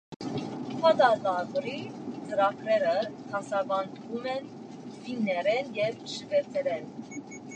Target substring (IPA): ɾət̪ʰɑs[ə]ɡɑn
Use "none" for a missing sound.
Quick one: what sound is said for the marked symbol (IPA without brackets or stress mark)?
ɑ